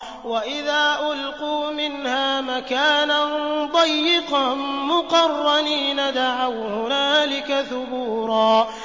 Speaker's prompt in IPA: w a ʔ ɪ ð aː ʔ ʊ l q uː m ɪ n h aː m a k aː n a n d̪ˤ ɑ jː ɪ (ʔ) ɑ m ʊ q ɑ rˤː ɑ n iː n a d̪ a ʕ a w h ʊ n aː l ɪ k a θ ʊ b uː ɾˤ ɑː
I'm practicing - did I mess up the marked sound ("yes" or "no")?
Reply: yes